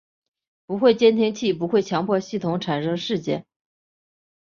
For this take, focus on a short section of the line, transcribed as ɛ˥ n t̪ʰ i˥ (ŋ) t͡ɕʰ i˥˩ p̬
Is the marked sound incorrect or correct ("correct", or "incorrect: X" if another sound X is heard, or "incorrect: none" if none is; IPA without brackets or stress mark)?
correct